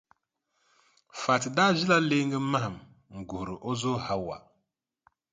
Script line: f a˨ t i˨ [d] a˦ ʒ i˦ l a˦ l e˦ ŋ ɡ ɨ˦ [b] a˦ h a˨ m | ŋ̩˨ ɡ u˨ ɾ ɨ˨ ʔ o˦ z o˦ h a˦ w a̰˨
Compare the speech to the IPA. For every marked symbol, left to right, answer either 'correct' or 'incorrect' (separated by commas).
correct, incorrect